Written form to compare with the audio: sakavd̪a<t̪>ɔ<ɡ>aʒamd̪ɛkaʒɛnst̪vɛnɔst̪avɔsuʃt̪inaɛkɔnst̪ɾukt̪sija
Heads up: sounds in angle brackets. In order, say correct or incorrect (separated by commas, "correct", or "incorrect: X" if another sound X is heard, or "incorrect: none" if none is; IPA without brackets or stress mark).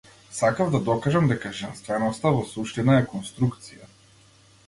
incorrect: d̪, incorrect: k